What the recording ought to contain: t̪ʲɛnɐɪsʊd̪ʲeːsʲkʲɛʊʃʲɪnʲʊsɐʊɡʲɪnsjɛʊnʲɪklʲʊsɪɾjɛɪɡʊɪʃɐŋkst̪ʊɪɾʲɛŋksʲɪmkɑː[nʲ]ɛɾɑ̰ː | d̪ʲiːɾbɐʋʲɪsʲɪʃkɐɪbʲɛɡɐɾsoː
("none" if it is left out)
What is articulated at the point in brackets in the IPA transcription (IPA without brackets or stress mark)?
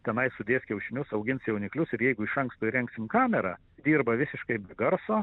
mʲ